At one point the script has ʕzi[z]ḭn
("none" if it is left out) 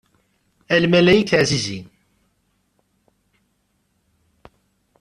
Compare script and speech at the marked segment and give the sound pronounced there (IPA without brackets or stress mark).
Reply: z